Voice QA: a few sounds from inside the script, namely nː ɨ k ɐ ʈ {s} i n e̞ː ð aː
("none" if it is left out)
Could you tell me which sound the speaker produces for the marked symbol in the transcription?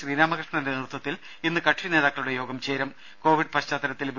ʂ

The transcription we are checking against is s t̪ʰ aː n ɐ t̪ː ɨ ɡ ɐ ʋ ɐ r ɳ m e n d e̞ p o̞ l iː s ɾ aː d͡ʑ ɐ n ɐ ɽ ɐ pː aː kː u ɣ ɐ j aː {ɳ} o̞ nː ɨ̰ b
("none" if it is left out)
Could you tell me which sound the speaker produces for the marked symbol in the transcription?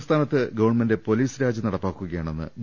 ɳ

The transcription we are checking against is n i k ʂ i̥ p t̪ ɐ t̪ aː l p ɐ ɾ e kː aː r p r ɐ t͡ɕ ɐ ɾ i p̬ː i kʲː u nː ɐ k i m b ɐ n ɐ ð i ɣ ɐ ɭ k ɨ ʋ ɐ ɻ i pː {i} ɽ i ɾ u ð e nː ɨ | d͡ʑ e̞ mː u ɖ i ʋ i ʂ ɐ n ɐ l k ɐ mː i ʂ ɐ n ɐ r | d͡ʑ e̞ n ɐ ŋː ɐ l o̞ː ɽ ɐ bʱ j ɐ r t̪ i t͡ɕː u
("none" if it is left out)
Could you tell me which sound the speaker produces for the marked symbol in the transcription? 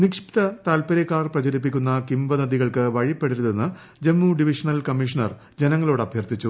e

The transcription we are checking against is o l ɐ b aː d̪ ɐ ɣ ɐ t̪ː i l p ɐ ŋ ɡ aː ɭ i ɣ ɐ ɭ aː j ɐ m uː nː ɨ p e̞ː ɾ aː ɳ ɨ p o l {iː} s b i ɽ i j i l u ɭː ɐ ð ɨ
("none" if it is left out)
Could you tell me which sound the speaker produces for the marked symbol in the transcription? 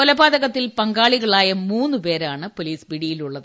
iː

